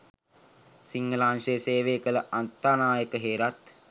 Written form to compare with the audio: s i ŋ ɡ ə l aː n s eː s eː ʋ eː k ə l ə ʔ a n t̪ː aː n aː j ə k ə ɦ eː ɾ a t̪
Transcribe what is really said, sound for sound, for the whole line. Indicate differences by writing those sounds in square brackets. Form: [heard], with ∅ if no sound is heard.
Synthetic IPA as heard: s i ŋ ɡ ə l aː n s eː s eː ʋ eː k ə l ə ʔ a n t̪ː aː n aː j ə k ə ɦ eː ɾ a t̪